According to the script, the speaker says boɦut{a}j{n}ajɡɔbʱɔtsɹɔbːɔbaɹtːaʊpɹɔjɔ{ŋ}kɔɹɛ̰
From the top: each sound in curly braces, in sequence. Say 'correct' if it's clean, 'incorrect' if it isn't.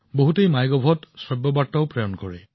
incorrect: e, incorrect: m, incorrect: n

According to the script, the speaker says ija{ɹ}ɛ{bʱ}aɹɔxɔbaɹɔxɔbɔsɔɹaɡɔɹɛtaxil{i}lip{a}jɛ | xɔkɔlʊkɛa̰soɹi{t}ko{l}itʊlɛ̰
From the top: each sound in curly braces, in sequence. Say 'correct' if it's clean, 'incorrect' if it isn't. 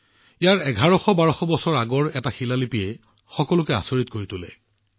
correct, incorrect: ɡʱ, incorrect: a, incorrect: i, correct, incorrect: ɹ

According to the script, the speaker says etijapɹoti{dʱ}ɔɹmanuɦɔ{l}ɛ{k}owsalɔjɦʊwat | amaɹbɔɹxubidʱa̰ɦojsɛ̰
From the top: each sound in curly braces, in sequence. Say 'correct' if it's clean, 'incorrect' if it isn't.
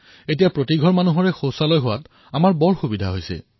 incorrect: ɡʱ, incorrect: ɹ, incorrect: x

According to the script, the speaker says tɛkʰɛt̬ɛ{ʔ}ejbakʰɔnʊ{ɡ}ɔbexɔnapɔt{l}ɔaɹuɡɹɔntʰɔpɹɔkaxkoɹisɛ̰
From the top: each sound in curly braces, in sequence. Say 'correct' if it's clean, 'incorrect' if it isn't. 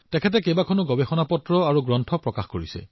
incorrect: k, correct, incorrect: ɹ

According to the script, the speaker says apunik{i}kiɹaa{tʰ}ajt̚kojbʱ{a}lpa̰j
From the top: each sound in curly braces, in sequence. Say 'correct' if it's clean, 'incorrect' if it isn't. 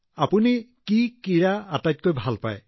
correct, incorrect: t, correct

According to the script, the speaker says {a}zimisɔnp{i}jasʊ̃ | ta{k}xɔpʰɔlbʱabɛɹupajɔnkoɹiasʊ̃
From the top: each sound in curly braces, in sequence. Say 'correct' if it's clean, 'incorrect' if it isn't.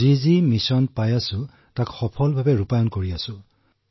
incorrect: i, incorrect: a, correct

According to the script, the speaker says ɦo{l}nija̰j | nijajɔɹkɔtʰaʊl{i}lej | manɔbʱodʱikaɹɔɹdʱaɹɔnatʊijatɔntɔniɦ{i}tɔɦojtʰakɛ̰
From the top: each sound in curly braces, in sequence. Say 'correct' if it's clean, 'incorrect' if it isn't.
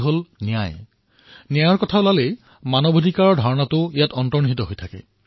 correct, incorrect: a, correct

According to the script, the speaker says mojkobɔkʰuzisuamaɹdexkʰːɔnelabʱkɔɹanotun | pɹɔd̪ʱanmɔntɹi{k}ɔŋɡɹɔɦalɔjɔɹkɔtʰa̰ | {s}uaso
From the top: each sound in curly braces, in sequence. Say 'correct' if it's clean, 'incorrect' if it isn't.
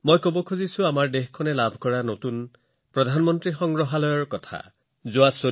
incorrect: x, incorrect: z

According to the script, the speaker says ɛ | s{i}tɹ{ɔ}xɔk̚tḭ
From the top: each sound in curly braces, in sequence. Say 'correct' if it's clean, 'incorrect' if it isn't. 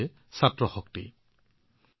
incorrect: a, correct

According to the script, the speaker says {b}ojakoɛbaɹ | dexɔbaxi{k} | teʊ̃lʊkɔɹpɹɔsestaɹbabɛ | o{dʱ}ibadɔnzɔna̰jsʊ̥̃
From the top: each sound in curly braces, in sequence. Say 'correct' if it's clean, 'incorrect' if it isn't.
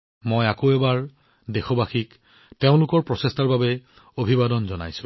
incorrect: m, correct, incorrect: bʱ

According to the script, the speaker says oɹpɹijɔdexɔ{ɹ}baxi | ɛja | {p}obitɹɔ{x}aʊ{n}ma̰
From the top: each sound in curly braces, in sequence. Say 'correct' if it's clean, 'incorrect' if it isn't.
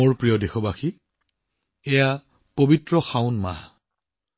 incorrect: none, correct, correct, correct

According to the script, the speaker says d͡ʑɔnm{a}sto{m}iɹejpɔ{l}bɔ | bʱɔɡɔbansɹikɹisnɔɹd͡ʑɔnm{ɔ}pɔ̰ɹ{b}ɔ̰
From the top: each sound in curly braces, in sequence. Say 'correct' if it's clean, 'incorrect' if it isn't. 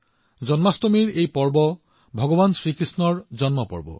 correct, correct, incorrect: ɹ, correct, correct

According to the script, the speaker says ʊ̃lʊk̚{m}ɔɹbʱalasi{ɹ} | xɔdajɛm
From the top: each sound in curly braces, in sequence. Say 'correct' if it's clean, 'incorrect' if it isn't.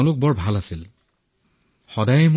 incorrect: b, incorrect: l

